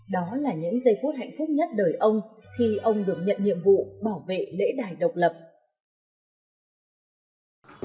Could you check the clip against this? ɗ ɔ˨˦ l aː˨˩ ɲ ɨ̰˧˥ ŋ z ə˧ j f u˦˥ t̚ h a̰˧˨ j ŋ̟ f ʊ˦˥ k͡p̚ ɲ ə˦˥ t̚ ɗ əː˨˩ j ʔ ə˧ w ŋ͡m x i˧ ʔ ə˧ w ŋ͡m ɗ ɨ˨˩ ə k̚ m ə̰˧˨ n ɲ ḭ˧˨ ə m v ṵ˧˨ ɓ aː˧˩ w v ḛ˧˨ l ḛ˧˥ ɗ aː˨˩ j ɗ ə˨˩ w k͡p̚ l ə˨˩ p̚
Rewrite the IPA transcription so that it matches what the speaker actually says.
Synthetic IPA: ɗ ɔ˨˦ l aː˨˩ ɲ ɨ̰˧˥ ŋ z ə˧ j f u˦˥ t̚ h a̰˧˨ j ŋ̟ f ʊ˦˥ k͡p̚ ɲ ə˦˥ t̚ ɗ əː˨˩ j ʔ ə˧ w ŋ͡m x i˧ ʔ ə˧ w ŋ͡m ɗ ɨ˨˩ ə k̚ ɲ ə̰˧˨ n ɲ ḭ˧˨ ə m v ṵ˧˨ ɓ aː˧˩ w v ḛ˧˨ l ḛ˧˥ ɗ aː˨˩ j ɗ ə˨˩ w k͡p̚ l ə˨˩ p̚